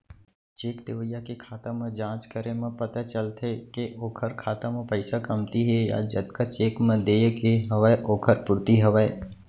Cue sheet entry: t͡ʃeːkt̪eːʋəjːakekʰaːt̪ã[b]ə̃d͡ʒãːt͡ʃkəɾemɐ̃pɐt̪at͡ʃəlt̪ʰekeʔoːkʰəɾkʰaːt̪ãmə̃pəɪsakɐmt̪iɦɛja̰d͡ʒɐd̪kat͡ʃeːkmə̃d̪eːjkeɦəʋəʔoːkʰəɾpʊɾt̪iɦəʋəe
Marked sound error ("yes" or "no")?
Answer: yes